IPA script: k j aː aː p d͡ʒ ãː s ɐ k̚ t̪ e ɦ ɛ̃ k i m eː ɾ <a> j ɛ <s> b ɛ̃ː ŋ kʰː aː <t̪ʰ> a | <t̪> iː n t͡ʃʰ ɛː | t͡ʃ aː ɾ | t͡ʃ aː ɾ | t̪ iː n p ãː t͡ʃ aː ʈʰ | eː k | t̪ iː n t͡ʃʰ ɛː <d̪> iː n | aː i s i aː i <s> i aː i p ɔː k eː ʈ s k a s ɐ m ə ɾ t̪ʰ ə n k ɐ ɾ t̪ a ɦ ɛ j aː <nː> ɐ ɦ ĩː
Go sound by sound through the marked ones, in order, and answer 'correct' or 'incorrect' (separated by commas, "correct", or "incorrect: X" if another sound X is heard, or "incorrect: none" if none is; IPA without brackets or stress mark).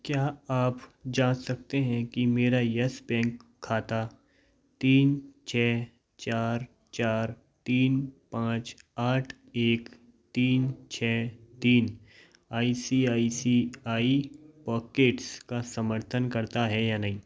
correct, correct, incorrect: t̪, correct, incorrect: t̪, correct, incorrect: n